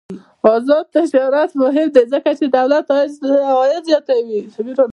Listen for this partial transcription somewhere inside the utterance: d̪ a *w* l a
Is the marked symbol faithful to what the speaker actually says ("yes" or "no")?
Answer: yes